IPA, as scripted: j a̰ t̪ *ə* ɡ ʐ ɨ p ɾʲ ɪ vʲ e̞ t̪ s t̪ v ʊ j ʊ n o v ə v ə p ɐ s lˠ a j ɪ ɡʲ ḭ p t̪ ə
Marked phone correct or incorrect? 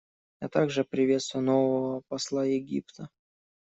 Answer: incorrect